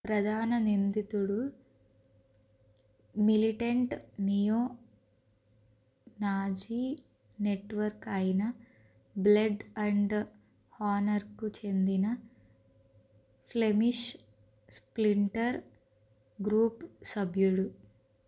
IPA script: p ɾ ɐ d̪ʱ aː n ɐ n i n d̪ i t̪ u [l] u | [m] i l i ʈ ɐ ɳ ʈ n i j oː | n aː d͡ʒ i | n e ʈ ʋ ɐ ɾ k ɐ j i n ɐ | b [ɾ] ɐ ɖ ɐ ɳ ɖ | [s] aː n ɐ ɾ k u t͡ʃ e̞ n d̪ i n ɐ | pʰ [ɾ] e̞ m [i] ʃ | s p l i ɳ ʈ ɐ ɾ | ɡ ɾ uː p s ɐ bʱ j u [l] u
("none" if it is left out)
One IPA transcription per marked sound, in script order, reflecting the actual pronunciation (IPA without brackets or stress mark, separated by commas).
ɽ, m, l, h, l, i, ɽ